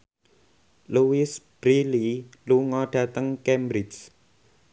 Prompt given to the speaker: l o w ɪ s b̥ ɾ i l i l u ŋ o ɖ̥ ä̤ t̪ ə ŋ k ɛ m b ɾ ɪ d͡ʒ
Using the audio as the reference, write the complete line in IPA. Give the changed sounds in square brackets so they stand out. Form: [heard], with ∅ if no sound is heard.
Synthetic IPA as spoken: l [u] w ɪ s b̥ ɾ i l i l u ŋ [ɔ] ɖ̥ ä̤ t̪ ə ŋ k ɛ m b ɾ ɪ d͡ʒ